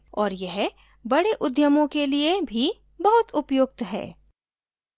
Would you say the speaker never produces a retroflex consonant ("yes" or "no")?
no